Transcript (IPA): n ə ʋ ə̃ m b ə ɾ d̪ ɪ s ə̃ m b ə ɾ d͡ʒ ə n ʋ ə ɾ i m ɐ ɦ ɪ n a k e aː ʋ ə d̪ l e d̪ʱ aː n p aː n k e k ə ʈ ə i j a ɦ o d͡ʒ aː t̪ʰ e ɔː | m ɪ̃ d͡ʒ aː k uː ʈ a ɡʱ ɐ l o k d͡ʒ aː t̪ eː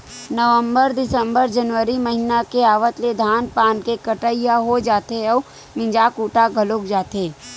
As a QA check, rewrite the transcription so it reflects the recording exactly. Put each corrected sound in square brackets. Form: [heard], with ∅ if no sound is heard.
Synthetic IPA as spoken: n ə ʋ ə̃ m b ə ɾ d̪ ɪ s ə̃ m b ə ɾ d͡ʒ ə n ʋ ə ɾ i m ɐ ɦ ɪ n a k e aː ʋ ə [t̪] l e d̪ʱ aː n p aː n k e k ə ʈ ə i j a ɦ o d͡ʒ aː [t̪] e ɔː | m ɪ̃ d͡ʒ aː k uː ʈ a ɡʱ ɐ l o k d͡ʒ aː t̪ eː

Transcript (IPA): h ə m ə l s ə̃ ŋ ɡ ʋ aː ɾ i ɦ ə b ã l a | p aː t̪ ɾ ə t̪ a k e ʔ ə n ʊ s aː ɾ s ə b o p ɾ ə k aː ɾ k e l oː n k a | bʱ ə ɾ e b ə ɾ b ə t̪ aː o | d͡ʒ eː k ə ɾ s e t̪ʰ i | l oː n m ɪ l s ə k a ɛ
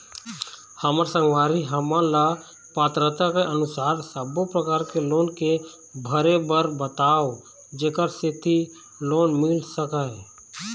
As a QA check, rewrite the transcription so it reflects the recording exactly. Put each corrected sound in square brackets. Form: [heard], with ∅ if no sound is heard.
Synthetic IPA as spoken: h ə m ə [ɾ] s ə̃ ŋ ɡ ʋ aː ɾ i ɦ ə [m] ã l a | p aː t̪ ɾ ə t̪ a k e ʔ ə n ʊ s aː ɾ s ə b o p ɾ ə k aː ɾ k e l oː n k [e] | bʱ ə ɾ e b ə ɾ b ə t̪ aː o | d͡ʒ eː k ə ɾ s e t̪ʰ i | l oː n m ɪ l s ə k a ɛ

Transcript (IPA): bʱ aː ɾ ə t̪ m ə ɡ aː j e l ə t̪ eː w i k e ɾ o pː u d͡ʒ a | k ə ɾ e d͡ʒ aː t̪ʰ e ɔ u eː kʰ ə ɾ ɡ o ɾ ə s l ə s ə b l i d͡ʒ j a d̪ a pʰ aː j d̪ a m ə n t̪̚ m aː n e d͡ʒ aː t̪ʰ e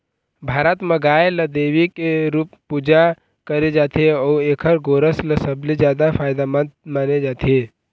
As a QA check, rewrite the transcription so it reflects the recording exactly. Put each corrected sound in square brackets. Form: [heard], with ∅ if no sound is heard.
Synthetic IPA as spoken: bʱ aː ɾ ə t̪ m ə ɡ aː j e l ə [d̪] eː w i k e ɾ [u] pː u d͡ʒ a | k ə ɾ e d͡ʒ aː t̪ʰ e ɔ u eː kʰ ə ɾ ɡ o ɾ ə s l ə s ə b l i d͡ʒ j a d̪ a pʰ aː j d̪ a m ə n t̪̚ m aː n e d͡ʒ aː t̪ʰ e

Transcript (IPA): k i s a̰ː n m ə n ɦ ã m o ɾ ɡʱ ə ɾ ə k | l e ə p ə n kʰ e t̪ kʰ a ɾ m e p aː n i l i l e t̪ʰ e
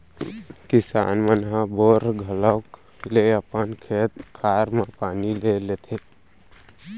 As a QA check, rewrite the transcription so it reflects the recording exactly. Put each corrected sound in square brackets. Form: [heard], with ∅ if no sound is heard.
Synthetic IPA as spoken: k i s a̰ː n m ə n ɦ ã [b] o ɾ ɡʱ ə [l] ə k | l e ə p ə n kʰ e t̪ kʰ a ɾ m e p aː n i l [e] l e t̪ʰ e

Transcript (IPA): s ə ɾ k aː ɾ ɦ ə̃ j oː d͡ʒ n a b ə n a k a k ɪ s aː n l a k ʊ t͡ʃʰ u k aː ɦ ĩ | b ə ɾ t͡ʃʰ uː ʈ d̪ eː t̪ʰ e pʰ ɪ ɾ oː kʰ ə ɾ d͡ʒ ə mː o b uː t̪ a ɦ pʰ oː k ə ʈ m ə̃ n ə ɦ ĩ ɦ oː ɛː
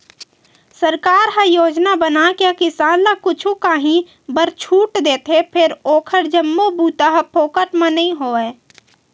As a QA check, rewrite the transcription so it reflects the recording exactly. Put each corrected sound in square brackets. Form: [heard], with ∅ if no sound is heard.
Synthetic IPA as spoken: s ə ɾ k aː ɾ ɦ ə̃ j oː d͡ʒ n a b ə n a k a k ɪ s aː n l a k ʊ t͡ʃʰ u k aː ɦ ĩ | b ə ɾ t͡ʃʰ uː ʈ d̪ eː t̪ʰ e pʰ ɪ ɾ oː kʰ ə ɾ d͡ʒ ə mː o b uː t̪ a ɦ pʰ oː k ə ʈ m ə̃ n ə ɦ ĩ ɦ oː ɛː

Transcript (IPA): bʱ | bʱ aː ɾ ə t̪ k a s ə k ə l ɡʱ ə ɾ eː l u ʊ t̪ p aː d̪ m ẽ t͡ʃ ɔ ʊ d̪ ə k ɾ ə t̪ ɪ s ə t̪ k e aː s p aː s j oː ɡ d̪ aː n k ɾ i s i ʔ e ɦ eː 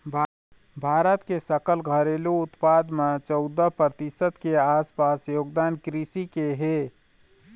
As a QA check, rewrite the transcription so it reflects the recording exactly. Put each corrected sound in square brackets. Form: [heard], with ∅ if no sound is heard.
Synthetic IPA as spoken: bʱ | bʱ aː ɾ ə t̪ k [e] s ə k ə l ɡʱ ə ɾ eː l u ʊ t̪ p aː d̪ m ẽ t͡ʃ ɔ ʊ d̪ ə [p] ɾ ə t̪ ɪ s ə t̪ k e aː s p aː s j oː ɡ d̪ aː n k ɾ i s i [k] e ɦ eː

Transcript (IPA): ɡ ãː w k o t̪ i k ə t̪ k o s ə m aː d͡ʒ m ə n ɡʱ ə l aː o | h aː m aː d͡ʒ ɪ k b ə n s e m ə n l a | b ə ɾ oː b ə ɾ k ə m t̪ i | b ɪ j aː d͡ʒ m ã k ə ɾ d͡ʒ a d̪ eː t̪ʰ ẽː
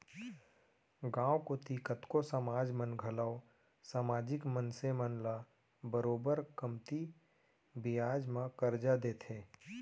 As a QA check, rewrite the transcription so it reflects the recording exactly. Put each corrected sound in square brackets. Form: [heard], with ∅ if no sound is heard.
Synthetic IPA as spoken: ɡ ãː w k o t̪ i k ə t̪ k o s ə m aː d͡ʒ m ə n ɡʱ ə l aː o | [s] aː m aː d͡ʒ ɪ k [m] ə n s e m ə n l a | b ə ɾ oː b ə ɾ k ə m t̪ i | b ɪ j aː d͡ʒ m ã k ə ɾ d͡ʒ a d̪ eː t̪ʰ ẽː

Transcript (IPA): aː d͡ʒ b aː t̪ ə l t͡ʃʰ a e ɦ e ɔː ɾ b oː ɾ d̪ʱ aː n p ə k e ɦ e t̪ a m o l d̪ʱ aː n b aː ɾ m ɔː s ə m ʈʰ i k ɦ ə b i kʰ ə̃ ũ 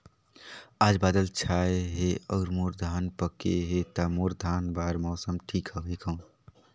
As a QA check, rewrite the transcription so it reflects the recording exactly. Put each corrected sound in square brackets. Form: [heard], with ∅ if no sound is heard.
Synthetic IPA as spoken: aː d͡ʒ b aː [d̪] ə l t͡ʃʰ a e ɦ e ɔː ɾ [m] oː ɾ d̪ʱ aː n p ə k e ɦ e t̪ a m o [ɾ] d̪ʱ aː n b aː ɾ m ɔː s ə m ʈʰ i k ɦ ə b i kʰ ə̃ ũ

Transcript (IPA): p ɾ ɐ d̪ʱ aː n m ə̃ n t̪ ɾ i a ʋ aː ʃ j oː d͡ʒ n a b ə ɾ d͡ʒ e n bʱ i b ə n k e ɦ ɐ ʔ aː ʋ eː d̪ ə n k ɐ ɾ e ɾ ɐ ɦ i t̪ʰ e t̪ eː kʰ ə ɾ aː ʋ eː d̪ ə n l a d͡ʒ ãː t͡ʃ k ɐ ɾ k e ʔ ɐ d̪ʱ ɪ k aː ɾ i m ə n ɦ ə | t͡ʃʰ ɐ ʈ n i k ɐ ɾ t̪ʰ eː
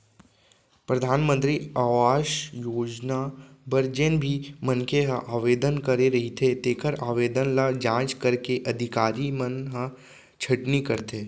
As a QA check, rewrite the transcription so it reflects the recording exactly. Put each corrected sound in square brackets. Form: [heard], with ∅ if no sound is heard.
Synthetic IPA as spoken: p ɾ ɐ d̪ʱ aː n m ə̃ n t̪ ɾ i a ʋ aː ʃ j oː d͡ʒ n a b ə ɾ d͡ʒ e n bʱ i [m] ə n k e ɦ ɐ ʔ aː ʋ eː d̪ ə n k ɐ ɾ e ɾ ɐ ɦ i t̪ʰ e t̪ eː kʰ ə ɾ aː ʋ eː d̪ ə n l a d͡ʒ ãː t͡ʃ k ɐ ɾ k e ʔ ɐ d̪ʱ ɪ k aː ɾ i m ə n ɦ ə | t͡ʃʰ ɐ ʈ n i k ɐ ɾ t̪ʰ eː

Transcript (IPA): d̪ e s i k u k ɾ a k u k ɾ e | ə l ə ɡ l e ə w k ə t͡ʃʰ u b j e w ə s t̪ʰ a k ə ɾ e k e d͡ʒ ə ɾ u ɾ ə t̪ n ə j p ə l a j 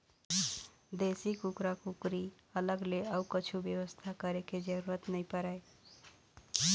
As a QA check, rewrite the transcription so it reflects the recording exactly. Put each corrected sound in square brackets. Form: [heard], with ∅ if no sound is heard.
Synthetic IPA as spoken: d̪ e s i k u k ɾ a k u k ɾ [i] | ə l ə ɡ l e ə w k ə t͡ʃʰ u b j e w ə s t̪ʰ a k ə ɾ e k e d͡ʒ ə ɾ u ɾ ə t̪ n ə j p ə [ɾ] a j

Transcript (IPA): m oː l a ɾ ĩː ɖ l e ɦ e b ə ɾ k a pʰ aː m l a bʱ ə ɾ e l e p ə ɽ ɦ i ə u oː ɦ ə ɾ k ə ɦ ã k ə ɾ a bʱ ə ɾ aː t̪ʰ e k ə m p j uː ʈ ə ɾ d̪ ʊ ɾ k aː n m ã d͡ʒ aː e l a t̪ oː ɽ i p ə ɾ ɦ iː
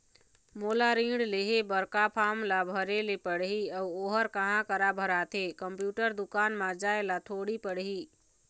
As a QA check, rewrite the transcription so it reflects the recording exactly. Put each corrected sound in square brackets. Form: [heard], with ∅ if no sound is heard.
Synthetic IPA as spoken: m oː l a ɾ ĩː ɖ l e ɦ e b ə ɾ k a pʰ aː m l a bʱ ə ɾ e l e p ə ɽ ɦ i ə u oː ɦ ə ɾ k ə ɦ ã k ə ɾ a bʱ ə ɾ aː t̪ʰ e k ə m p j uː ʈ ə ɾ d̪ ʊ [∅] k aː n m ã d͡ʒ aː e l a [t̪ʰ] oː ɽ i p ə [ɽ] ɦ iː

